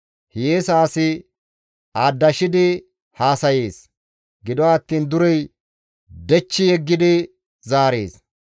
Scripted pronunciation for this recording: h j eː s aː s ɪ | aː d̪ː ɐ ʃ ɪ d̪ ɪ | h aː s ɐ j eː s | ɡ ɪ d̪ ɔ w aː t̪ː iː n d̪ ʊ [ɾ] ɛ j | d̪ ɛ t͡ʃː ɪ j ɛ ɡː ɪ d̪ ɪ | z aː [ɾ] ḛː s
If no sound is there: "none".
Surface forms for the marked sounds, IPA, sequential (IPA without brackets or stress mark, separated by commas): ɾ, ɾ